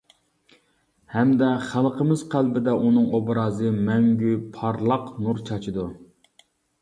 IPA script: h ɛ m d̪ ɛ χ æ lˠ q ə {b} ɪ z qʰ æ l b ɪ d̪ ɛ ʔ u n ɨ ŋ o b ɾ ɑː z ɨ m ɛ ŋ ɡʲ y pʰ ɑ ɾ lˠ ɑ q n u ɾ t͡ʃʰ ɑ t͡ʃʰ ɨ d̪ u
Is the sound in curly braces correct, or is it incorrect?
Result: incorrect